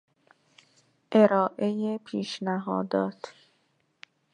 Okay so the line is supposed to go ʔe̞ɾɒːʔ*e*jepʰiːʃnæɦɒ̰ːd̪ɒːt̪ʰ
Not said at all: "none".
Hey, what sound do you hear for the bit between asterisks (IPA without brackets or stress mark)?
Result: e